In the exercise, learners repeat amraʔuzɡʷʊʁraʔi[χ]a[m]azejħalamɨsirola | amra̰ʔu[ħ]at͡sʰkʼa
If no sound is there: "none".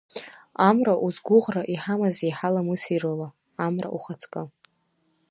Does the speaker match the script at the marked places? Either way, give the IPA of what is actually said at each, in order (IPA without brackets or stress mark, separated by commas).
ħ, m, χ